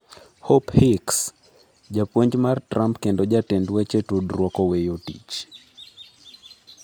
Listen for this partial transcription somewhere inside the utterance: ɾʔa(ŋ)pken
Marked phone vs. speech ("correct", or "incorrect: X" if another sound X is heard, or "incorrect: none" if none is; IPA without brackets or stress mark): incorrect: m